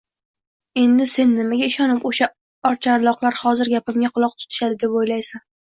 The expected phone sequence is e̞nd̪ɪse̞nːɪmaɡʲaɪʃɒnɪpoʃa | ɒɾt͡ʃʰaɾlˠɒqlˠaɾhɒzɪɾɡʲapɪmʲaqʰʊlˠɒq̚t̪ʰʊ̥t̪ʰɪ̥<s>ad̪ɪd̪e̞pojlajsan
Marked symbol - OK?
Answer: no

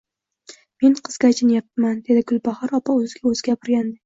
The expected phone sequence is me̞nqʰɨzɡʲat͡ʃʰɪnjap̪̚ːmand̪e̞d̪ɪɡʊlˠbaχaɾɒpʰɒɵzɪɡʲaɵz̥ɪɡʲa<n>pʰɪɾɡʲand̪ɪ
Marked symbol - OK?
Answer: no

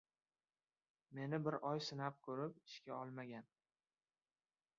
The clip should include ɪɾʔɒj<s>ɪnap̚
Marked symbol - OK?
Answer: yes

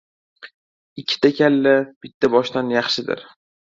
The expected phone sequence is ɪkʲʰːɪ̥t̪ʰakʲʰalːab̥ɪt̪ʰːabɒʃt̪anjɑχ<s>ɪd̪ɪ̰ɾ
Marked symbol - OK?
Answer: no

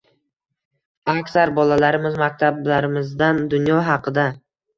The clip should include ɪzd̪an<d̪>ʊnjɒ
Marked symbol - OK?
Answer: yes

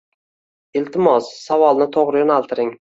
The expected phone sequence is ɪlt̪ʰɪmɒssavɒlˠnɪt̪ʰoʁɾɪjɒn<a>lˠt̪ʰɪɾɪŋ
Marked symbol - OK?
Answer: yes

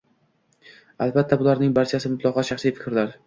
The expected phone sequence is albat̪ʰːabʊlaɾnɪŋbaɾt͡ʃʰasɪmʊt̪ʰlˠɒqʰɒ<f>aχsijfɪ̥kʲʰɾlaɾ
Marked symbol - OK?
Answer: no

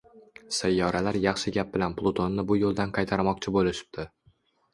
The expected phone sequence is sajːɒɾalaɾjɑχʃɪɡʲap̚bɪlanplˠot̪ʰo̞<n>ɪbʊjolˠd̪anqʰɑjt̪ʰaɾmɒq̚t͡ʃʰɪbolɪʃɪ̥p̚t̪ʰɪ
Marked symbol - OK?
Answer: no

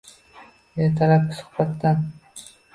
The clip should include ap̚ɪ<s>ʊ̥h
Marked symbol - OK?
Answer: yes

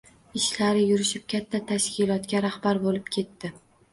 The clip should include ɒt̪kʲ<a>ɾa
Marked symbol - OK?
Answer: yes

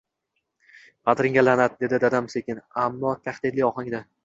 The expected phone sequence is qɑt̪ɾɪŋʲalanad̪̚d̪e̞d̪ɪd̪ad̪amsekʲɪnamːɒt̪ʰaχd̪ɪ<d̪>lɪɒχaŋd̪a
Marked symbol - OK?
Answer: yes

